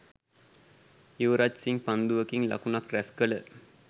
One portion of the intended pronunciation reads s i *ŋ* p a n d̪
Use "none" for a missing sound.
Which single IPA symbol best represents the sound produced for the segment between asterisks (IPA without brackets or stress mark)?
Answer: ŋ